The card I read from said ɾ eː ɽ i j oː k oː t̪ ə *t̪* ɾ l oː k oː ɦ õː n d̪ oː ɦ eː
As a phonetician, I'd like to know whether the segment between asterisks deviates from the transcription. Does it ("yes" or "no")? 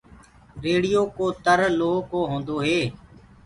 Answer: yes